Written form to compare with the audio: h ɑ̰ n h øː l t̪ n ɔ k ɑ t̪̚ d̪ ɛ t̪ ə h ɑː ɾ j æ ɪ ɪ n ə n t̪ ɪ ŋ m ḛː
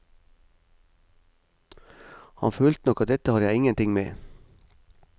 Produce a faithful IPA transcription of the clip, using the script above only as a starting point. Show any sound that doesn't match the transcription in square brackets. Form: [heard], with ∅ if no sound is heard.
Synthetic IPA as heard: h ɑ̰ n [f] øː l t̪ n ɔ k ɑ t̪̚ d̪ ɛ t̪ ə h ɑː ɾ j æ ɪ ɪ [ŋ] ə n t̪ ɪ ŋ m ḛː